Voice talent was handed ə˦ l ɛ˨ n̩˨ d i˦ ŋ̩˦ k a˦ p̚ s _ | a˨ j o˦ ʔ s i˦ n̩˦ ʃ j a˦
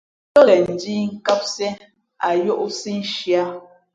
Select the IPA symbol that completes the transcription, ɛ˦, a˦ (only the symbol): ɛ˦